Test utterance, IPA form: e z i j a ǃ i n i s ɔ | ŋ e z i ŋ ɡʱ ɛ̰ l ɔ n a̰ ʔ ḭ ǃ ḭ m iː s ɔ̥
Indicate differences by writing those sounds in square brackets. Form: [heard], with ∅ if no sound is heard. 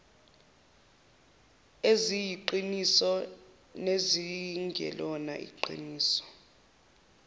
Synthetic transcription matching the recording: e z i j [i] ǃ i n i s ɔ | [n] e z i ŋ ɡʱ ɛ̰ l ɔ n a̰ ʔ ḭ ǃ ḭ [n] iː s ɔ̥